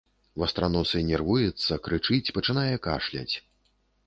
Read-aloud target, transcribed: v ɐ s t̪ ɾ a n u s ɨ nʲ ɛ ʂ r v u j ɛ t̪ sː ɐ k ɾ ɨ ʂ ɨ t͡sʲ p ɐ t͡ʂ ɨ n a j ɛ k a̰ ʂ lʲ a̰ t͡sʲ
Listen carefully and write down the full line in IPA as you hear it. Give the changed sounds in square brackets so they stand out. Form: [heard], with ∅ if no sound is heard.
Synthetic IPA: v ɐ s t̪ ɾ a n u s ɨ nʲ ɛ [∅] r v u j ɛ t̪ sː ɐ k ɾ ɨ [t͡ʂ] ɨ t͡sʲ p ɐ t͡ʂ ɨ n a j ɛ k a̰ ʂ lʲ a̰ t͡sʲ